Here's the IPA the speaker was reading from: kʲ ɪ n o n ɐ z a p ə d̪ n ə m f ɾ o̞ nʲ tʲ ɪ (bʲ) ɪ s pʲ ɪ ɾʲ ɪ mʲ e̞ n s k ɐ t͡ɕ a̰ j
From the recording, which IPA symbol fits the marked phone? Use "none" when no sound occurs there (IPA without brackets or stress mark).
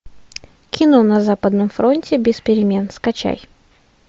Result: bʲ